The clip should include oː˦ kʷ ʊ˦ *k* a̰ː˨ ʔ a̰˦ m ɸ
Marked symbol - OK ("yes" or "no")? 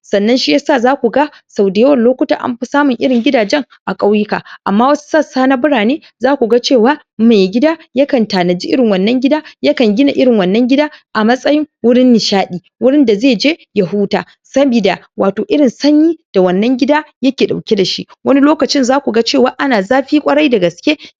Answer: no